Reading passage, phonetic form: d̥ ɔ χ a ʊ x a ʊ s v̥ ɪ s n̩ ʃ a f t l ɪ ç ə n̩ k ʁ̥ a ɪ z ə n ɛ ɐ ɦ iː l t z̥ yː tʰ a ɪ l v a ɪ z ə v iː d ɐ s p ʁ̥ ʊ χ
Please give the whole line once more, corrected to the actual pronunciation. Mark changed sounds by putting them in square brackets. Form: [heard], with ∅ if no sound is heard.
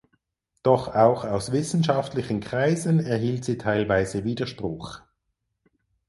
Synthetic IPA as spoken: d̥ ɔ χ a ʊ x a ʊ s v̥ ɪ s n̩ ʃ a f t l ɪ ç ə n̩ k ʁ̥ a ɪ z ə n ɛ ɐ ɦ iː l t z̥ [iː] tʰ a ɪ l v a ɪ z ə v iː d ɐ [ʃ] p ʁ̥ ʊ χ

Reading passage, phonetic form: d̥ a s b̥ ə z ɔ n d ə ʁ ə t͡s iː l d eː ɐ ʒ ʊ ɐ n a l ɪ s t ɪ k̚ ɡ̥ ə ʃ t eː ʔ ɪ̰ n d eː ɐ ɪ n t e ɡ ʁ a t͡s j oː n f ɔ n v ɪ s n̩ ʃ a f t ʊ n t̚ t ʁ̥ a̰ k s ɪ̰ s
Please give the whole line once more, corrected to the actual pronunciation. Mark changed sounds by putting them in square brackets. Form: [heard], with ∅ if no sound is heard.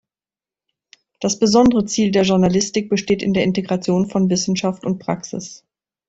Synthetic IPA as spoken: d̥ a s b̥ ə z ɔ n d ə ʁ ə t͡s iː l d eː ɐ ʒ ʊ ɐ n a l ɪ s t ɪ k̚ [b̥] ə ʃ t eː [t] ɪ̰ n d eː ɐ ɪ n t e ɡ ʁ a t͡s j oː n f ɔ n v ɪ s n̩ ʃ a f t ʊ n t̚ [p] ʁ̥ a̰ k s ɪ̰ s

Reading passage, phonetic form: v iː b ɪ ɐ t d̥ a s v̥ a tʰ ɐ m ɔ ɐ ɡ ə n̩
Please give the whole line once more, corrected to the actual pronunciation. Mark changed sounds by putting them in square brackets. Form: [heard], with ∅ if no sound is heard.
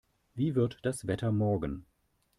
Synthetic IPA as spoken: v iː [v] ɪ ɐ t d̥ a s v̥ [ɛ] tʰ ɐ m ɔ ɐ ɡ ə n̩

